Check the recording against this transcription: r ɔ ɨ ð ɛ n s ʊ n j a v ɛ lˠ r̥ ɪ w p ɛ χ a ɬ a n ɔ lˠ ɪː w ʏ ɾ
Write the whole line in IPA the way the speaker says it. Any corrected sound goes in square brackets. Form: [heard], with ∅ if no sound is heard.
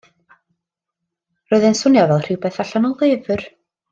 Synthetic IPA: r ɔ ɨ ð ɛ n s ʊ n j a v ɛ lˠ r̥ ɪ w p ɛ [θ] a ɬ a n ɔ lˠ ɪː [v] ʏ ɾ